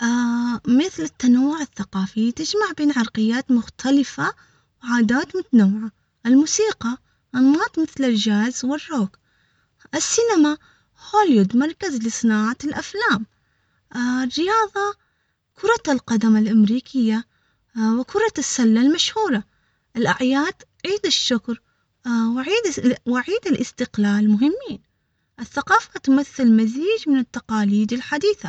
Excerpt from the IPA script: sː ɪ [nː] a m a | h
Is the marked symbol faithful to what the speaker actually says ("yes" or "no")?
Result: no